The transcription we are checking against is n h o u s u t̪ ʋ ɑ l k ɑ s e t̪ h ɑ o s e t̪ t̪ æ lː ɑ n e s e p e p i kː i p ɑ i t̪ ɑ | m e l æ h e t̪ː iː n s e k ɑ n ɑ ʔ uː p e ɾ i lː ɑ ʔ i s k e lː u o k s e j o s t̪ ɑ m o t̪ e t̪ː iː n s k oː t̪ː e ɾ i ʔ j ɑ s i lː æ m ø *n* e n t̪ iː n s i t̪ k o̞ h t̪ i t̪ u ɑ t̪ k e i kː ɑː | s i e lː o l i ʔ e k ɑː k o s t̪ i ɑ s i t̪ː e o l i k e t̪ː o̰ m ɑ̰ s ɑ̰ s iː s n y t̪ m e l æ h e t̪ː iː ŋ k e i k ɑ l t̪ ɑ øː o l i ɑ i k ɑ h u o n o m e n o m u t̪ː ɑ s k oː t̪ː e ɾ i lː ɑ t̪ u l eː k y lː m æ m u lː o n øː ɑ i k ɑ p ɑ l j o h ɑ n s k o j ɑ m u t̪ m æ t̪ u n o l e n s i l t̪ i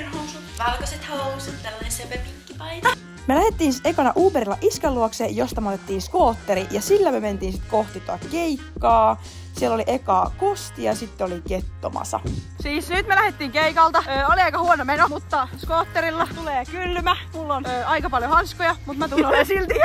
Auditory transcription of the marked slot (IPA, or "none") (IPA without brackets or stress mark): m